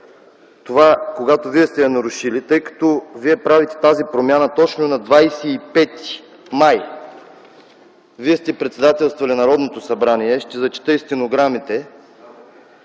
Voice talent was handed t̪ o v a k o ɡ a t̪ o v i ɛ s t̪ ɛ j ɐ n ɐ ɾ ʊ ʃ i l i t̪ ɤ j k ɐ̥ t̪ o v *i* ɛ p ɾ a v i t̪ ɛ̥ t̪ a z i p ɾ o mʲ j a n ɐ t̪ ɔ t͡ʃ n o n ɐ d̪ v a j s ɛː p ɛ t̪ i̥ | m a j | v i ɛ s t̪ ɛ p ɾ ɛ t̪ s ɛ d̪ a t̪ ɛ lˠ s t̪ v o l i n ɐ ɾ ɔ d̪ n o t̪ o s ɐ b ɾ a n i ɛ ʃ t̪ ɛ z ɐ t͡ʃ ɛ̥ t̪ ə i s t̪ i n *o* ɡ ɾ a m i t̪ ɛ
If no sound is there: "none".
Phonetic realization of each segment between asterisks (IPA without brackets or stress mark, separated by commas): i, o